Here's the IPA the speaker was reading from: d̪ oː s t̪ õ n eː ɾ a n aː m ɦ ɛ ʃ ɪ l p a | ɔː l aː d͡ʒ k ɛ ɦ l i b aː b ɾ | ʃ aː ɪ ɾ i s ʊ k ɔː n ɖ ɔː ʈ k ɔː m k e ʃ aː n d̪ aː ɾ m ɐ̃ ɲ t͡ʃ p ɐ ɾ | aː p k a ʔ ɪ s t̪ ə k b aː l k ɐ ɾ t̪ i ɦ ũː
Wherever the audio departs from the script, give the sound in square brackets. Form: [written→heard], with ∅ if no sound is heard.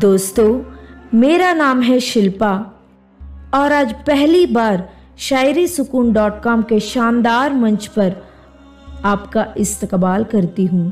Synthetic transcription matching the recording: d̪ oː s t̪ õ [n→m] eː ɾ a n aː m ɦ ɛ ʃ ɪ l p a | ɔː [l→ɾ] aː d͡ʒ [k→p] ɛ ɦ l i b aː [b→∅] ɾ | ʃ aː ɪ ɾ i s ʊ k [ɔː→uː] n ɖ ɔː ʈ k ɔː m k e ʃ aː n d̪ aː ɾ m ɐ̃ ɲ t͡ʃ p ɐ ɾ | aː p k a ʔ ɪ s t̪ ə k b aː l k ɐ ɾ t̪ i ɦ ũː